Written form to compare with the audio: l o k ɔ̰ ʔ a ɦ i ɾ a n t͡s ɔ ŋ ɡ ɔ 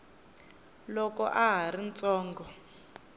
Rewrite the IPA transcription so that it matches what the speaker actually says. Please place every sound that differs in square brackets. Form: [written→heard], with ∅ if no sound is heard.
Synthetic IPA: l [o→ɔ] k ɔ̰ ʔ a ɦ [i→a] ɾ [a→i] n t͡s [ɔ→ɔː] ŋ ɡ ɔ